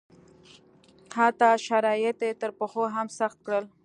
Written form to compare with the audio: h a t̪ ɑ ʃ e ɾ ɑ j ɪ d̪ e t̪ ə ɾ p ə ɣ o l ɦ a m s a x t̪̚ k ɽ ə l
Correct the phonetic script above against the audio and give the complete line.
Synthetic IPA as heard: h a t̪ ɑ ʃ a ɾ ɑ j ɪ t̪ e t̪ ə ɾ p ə x o ɦ a m s a x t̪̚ k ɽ ə l